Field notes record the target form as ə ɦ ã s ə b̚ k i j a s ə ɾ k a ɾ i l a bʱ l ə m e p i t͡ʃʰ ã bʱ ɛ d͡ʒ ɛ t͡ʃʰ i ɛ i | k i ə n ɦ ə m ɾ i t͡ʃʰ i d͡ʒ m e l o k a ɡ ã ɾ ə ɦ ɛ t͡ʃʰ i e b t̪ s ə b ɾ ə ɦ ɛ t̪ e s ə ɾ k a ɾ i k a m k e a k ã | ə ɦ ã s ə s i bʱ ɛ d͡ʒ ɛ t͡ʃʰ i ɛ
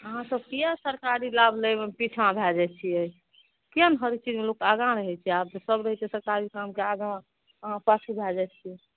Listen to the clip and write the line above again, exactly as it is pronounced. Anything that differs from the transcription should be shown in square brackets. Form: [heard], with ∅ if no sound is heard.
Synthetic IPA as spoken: ə ɦ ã s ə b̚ k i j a s ə ɾ k a ɾ i l a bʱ l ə m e p i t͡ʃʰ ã bʱ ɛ d͡ʒ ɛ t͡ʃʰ i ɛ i | k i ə n ɦ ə [∅] ɾ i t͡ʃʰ i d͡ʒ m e l o k a ɡ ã ɾ ə ɦ ɛ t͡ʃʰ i [a] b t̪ s ə b ɾ ə ɦ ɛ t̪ e s ə ɾ k a ɾ i k a m k e a [ɡ] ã | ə ɦ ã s [a] s i bʱ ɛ d͡ʒ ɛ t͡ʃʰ i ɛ